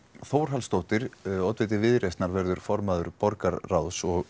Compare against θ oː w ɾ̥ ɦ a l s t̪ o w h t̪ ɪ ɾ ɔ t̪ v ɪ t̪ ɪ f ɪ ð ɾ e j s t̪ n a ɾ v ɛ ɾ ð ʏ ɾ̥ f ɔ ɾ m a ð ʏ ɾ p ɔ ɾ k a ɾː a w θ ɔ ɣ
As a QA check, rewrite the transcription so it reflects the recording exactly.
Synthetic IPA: θ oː w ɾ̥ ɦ a l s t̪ o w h t̪ ɪ ɾ ɔ t̪ v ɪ t̪ ɪ v ɪ ð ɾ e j s t̪ n a ɾ v ɛ ɾ ð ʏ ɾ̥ f ɔ ɾ m a ð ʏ ɾ p ɔ ɾ k a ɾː a w s ɔ ɣ